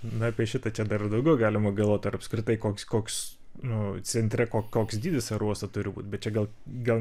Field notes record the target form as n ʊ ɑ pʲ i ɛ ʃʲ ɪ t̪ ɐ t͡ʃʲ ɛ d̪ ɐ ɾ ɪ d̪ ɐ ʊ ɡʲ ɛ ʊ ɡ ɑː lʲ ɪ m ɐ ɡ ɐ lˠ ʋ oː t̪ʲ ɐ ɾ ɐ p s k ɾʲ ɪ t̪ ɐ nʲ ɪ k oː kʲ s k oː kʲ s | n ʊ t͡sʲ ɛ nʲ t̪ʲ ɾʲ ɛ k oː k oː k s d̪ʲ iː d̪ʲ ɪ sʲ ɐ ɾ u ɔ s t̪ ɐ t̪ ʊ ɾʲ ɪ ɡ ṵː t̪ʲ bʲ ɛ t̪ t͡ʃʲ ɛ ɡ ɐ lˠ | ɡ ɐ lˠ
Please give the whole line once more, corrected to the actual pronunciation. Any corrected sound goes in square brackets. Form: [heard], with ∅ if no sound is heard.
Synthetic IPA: n ʊ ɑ pʲ i ɛ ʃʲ ɪ t̪ ɐ t͡ʃʲ ɛ d̪ ɐ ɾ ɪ d̪ ɐ ʊ ɡʲ ɛ ʊ ɡ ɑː lʲ ɪ m ɐ ɡ ɐ lˠ ʋ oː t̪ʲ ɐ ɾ ɐ p s k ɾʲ ɪ t̪ ɐ [∅] ɪ k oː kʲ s k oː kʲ s | n ʊ t͡sʲ ɛ nʲ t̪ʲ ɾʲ ɛ k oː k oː k s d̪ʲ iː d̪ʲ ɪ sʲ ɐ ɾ u ɔ s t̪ ɐ t̪ ʊ ɾʲ ɪ [b] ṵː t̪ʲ bʲ ɛ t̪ t͡ʃʲ ɛ ɡ ɐ lˠ | ɡ ɐ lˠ